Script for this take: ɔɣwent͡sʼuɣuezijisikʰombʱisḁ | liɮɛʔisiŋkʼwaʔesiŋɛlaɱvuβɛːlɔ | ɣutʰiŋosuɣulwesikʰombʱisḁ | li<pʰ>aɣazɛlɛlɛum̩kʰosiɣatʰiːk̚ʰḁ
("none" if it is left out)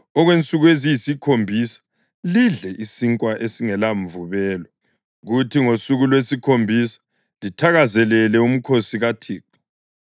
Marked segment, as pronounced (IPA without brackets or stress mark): tʰ